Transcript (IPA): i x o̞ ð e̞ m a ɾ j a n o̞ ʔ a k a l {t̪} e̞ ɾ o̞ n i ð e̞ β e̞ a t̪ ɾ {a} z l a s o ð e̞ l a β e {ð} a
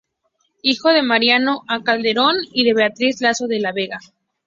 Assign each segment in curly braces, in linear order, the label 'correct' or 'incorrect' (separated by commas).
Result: incorrect, incorrect, incorrect